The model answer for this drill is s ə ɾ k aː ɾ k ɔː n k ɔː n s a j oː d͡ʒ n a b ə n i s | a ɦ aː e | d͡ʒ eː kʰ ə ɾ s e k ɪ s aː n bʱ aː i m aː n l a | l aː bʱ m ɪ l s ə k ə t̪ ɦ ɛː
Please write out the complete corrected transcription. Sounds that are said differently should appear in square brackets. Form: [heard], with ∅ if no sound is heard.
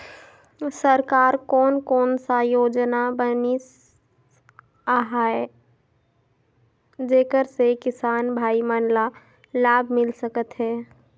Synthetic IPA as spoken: s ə ɾ k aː ɾ k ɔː n k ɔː n s a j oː d͡ʒ n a b ə n i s | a ɦ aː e | d͡ʒ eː [k] ə ɾ s e k ɪ s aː n bʱ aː i m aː n l a | l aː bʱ m ɪ l s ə k ə t̪ ɦ ɛː